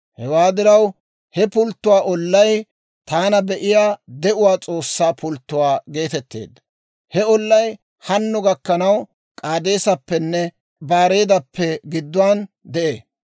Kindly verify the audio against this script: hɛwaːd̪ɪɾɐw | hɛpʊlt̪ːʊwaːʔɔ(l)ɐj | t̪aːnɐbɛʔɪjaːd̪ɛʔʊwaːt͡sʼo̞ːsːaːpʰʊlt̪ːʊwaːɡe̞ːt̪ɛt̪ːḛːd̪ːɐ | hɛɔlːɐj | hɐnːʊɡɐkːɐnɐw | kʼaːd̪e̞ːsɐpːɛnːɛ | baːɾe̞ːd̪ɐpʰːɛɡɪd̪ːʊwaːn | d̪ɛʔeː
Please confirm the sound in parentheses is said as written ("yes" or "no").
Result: no